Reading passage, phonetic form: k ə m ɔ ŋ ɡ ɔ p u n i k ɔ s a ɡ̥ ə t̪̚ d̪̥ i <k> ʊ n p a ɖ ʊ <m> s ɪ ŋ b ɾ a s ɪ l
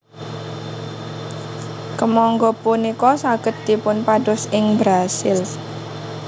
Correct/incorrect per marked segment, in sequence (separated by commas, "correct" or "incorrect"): incorrect, incorrect